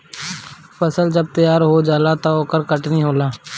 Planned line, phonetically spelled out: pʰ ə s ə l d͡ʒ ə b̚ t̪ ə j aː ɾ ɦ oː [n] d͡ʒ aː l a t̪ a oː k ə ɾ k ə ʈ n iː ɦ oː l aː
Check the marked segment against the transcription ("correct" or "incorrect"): incorrect